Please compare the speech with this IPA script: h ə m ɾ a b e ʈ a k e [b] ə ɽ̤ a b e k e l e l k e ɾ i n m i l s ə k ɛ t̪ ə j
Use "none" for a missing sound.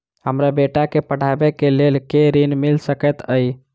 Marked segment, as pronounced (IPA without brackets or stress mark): p